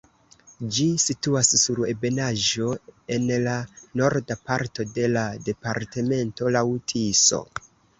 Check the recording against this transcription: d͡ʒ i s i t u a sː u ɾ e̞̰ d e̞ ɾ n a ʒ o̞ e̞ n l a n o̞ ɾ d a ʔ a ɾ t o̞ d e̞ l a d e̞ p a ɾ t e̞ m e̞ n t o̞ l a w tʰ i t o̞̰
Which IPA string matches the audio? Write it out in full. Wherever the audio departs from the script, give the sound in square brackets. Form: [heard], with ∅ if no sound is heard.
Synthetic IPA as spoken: d͡ʒ i s i t u a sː u ɾ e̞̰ [b] e̞ [∅] n a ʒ o̞ e̞ n l a n o̞ ɾ d a [p] a ɾ t o̞ d e̞ l a d e̞ p a ɾ t e̞ m e̞ n t o̞ l a w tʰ i [s] o̞̰